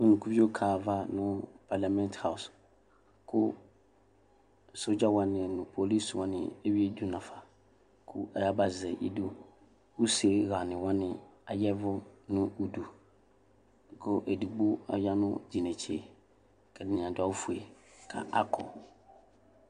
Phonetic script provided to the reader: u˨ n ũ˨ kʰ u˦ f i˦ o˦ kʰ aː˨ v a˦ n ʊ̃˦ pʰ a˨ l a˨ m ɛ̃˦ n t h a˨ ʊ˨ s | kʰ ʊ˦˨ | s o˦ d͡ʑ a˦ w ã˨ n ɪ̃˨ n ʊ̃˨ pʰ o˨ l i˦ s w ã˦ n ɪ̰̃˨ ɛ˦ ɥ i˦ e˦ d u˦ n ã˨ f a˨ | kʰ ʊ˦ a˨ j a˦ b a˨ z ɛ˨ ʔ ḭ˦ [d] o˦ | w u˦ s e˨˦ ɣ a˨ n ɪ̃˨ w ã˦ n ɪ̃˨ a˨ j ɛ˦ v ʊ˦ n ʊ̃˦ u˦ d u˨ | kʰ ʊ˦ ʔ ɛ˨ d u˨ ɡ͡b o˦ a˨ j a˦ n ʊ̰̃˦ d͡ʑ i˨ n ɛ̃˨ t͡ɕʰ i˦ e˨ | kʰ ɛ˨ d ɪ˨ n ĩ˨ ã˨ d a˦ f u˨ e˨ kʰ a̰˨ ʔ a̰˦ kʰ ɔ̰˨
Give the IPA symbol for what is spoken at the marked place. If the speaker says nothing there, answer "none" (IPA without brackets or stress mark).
d